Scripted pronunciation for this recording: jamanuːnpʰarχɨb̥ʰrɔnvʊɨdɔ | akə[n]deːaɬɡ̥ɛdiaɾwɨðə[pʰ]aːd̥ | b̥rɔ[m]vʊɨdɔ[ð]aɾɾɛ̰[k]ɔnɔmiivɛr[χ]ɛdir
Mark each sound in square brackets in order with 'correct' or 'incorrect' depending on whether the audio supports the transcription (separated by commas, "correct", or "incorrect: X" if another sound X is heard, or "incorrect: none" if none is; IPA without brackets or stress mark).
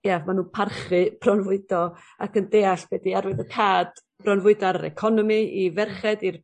correct, incorrect: kʰ, incorrect: n, incorrect: none, incorrect: kʰ, correct